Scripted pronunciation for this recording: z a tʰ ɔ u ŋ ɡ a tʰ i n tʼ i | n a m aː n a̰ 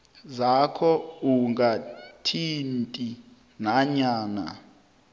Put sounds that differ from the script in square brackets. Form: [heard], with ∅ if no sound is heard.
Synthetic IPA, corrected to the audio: z a [kʰ] ɔ u ŋ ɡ a tʰ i n tʼ i | n a [ɲ] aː n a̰